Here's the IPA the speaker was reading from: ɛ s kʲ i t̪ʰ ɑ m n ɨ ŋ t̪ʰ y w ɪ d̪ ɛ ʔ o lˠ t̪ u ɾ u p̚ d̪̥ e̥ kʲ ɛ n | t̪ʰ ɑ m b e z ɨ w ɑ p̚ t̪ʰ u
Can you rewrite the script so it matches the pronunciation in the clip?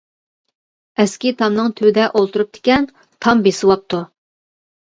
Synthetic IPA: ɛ s kʲ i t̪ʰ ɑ m n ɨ ŋ t̪ʰ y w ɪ d̪ ɛ ʔ o lˠ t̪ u ɾ u p̚ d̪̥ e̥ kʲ ɛ n | t̪ʰ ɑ m b e s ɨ w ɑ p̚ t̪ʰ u